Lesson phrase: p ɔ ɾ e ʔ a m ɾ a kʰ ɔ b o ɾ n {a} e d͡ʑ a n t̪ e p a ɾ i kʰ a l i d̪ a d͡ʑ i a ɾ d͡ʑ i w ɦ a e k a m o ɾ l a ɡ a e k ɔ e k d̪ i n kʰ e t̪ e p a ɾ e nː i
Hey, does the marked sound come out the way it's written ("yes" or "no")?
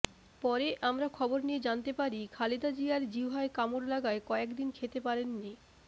no